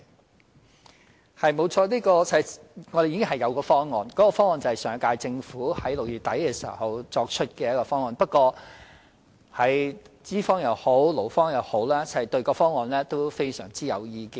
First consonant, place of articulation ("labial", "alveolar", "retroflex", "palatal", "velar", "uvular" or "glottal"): glottal